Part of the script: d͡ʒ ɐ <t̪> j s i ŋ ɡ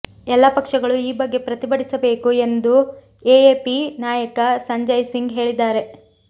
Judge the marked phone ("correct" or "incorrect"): incorrect